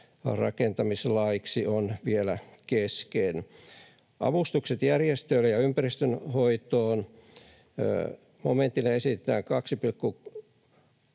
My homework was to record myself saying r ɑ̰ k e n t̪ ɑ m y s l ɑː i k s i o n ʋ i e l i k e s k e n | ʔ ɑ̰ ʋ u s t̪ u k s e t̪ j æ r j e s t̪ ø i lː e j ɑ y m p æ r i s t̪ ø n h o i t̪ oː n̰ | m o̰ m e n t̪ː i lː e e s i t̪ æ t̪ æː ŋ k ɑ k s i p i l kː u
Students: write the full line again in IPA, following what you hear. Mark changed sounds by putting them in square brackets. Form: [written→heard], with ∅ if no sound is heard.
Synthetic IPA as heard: r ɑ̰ k e n t̪ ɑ m [y→i] s l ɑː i k s i o n ʋ i e l [i→æ] k e s k e n | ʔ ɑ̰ ʋ u s t̪ u k s e t̪ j æ r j e s t̪ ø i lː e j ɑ y m p æ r i s t̪ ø n h o i t̪ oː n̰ | m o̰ m e n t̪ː i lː e e s i t̪ [æ→e] t̪ æː ŋ k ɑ k s i p i l kː u